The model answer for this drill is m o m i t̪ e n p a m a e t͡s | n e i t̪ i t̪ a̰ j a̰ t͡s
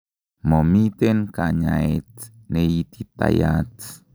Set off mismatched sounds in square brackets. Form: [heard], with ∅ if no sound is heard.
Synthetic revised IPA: m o m i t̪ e n [k] a [ɲ] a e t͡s | n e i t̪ i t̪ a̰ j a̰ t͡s